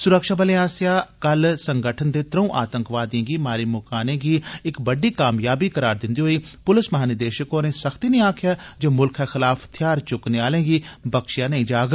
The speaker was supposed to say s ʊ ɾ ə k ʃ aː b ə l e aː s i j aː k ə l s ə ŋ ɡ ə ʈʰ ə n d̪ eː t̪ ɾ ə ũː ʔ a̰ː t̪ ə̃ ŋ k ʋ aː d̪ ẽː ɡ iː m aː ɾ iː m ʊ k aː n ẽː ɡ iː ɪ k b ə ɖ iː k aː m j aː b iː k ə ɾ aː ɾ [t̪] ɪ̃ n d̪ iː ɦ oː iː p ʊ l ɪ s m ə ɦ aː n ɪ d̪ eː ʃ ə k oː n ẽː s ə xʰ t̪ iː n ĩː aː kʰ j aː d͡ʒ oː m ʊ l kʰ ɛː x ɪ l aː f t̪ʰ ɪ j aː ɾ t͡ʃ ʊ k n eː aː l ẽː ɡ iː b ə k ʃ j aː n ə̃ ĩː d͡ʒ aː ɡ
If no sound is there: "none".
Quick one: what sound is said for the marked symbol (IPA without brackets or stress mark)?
d̪